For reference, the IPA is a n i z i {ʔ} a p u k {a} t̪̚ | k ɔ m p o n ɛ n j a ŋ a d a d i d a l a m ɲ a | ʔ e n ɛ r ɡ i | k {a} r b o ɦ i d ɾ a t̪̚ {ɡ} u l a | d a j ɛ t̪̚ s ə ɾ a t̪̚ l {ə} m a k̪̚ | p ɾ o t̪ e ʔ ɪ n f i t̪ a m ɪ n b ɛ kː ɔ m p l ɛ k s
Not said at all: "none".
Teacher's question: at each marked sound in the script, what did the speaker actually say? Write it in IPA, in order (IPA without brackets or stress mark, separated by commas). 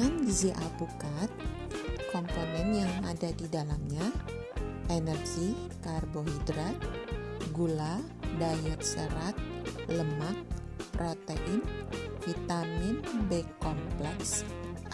ʔ, a, a, ɡ, ə